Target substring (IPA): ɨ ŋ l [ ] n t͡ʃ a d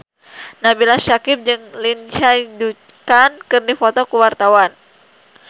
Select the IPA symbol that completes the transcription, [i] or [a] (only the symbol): i